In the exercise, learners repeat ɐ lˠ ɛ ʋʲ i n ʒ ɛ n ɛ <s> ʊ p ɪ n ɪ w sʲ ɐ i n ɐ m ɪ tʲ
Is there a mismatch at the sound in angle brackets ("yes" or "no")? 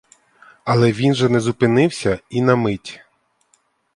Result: yes